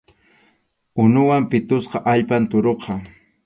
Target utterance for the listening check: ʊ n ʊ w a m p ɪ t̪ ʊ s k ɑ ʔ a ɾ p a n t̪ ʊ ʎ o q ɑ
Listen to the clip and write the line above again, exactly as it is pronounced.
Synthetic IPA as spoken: ʊ n ʊ w a m p ɪ t̪ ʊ s q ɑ ʔ a ʎ p a n t̪ ʊ ɾ o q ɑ